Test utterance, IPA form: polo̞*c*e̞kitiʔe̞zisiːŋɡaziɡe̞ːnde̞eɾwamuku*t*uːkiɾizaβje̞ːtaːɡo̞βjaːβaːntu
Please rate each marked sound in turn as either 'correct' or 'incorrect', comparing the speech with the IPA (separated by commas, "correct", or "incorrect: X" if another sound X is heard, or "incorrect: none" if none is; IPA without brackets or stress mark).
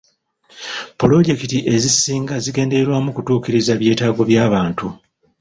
incorrect: ɟ, correct